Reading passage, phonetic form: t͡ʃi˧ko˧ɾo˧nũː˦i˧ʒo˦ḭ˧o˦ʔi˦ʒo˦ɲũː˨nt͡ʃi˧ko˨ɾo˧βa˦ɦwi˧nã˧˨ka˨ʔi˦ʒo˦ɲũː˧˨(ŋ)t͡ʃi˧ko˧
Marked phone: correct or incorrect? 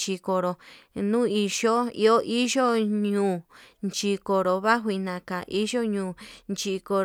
incorrect